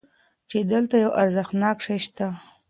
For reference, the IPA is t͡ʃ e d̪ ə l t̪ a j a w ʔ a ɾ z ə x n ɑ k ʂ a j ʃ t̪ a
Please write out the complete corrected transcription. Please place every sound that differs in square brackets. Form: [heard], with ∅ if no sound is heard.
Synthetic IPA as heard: t͡ʃ e d̪ ə l t̪ a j a w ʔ a ɾ z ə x n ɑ k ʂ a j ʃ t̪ a